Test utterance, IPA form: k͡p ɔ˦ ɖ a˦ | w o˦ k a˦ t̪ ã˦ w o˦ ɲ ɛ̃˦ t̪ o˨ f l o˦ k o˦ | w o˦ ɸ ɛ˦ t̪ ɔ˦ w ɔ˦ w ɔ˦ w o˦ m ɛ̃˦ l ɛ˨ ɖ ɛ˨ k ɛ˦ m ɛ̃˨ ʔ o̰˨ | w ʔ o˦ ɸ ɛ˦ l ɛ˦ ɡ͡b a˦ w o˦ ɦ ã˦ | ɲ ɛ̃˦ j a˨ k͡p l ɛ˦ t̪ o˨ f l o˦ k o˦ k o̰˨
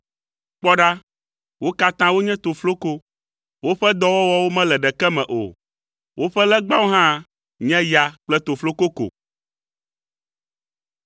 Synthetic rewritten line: k͡p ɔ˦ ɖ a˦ | w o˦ k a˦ t̪ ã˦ w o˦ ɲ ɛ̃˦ t̪ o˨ f l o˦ k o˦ | w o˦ ɸ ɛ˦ d̪ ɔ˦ w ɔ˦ w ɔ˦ w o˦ m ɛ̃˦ l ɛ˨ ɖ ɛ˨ k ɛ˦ m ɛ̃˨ ʔ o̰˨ | w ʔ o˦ ɸ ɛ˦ l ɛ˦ ɡ͡b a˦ w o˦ ɦ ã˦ | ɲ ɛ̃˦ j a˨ k͡p l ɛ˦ t̪ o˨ f l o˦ k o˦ k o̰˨